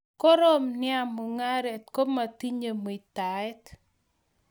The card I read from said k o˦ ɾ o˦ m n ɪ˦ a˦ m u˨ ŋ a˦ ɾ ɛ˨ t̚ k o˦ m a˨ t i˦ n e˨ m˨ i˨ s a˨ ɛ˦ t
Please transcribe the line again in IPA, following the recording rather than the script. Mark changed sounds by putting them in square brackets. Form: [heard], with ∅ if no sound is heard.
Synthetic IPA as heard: k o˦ ɾ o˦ m n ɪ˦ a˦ m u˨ ŋ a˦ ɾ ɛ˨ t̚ k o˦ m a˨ t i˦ [ɲ] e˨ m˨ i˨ [t] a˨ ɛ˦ t